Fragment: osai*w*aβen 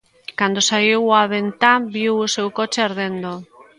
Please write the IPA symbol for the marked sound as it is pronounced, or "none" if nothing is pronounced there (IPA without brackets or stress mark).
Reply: w